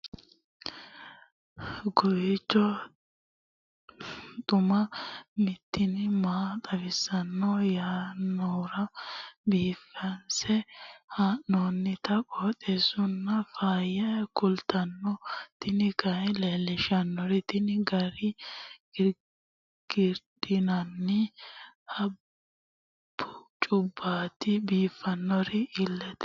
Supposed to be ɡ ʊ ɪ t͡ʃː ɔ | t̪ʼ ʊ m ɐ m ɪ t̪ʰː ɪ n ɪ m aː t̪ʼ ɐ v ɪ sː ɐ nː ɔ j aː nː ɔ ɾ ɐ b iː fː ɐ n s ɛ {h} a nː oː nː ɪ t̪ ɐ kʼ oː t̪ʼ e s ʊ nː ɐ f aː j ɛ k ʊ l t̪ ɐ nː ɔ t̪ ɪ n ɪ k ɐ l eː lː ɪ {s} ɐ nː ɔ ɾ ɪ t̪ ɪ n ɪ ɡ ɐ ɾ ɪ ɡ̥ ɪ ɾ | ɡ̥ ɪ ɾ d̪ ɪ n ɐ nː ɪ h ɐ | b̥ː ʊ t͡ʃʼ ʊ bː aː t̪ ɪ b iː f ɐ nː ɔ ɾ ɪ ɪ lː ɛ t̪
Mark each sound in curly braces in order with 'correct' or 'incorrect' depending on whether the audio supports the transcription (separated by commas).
correct, incorrect